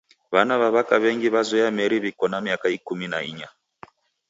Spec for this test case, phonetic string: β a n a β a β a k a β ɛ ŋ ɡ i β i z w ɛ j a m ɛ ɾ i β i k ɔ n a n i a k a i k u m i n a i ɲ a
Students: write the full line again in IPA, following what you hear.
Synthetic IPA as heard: β a n a β a β a k a β ɛ ŋ ɡ i β a z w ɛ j a m ɛ ɾ i β i k ɔ n a m i a k a i k u m i n a i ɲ a